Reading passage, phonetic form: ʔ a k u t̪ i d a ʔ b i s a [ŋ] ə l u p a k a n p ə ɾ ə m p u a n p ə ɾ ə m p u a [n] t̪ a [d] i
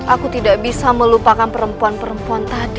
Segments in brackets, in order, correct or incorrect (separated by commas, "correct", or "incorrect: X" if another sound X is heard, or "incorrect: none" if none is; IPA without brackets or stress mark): incorrect: m, correct, correct